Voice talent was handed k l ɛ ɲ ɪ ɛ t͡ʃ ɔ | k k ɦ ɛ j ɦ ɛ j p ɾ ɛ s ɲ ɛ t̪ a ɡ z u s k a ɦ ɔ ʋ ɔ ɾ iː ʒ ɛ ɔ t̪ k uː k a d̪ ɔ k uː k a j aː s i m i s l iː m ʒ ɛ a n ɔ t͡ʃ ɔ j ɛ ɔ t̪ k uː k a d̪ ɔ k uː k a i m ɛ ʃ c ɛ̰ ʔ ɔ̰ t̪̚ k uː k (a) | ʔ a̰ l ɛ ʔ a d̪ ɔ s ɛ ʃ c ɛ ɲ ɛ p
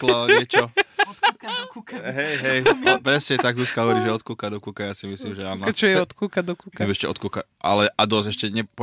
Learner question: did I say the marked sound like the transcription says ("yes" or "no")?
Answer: yes